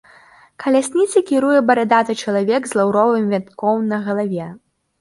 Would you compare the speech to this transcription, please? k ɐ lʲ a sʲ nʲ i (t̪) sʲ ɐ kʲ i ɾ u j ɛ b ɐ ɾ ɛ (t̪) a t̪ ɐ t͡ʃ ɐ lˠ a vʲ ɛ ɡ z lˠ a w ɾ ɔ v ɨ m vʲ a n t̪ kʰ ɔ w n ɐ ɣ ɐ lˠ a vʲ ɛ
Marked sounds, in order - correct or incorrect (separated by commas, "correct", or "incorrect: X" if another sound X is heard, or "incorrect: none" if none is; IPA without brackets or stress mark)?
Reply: correct, incorrect: d̪